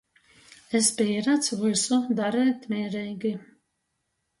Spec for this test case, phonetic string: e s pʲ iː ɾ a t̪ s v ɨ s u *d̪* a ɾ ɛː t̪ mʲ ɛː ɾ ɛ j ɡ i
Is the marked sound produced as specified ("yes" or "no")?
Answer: yes